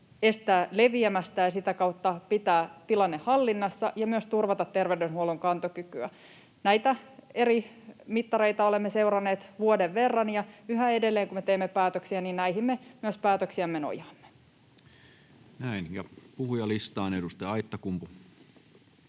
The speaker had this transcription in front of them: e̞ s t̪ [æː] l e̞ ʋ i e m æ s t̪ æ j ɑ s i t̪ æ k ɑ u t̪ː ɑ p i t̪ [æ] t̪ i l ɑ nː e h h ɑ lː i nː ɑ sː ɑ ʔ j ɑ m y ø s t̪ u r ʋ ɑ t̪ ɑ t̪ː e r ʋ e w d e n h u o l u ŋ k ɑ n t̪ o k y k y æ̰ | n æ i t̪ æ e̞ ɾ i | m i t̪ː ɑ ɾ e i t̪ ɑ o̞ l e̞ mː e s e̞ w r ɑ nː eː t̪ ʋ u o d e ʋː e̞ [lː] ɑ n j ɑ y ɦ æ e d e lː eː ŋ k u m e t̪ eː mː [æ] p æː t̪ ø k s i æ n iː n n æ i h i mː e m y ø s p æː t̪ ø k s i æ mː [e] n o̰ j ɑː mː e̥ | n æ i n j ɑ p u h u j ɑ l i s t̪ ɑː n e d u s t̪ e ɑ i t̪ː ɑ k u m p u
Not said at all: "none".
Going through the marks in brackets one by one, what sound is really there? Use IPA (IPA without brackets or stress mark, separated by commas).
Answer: æː, æː, rː, e, e